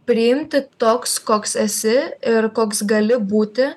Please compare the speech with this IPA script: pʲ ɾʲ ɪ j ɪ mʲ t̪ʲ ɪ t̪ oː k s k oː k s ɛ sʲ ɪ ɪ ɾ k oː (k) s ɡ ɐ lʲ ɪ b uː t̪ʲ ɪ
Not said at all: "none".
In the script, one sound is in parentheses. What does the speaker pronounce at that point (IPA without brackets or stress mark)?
k